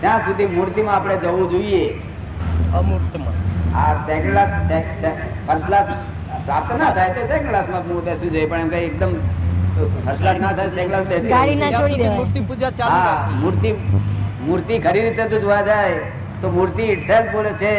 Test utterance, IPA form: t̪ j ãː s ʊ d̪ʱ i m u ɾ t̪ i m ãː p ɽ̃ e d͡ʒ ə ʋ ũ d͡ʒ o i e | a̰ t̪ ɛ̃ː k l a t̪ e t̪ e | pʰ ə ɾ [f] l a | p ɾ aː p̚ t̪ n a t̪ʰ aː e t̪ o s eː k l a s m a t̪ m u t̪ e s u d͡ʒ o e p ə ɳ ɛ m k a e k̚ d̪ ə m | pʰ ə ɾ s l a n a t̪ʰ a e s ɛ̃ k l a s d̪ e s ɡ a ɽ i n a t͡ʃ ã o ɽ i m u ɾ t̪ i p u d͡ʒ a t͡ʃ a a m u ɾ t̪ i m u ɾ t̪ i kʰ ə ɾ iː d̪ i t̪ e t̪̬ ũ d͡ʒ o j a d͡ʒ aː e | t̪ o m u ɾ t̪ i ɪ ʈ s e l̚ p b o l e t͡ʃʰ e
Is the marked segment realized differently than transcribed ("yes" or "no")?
yes